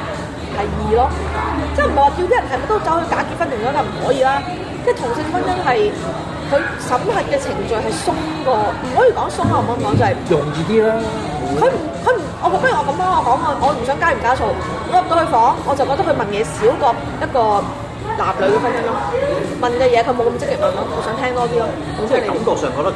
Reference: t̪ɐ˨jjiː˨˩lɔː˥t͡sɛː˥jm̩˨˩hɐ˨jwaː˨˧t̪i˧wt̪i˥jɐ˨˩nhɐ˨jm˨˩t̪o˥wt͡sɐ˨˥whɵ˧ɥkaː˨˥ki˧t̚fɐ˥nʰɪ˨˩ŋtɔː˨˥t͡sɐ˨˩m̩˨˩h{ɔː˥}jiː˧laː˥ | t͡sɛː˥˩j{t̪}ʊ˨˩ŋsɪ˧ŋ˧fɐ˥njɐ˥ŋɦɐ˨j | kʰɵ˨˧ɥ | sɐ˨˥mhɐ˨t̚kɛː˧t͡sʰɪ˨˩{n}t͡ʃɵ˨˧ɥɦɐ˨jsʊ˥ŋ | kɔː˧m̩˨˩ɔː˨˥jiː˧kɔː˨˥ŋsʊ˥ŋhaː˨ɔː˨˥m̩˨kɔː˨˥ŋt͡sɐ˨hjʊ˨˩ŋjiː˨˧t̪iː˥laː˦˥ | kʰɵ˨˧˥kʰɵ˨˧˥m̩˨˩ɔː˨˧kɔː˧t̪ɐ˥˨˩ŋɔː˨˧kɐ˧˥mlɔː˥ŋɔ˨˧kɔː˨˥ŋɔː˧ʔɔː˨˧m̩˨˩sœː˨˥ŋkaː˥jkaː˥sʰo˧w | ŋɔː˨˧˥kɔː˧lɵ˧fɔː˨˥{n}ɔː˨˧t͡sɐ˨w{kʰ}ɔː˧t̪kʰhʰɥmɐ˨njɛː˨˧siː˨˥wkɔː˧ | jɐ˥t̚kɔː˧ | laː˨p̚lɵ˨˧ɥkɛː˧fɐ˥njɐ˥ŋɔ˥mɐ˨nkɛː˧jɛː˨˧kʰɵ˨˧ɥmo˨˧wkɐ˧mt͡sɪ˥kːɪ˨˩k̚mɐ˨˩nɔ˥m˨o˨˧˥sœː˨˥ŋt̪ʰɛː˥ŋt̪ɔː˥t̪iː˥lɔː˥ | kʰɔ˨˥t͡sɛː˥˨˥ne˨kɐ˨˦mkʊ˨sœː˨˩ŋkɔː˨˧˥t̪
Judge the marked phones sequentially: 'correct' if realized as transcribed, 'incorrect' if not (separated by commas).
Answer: incorrect, incorrect, incorrect, incorrect, incorrect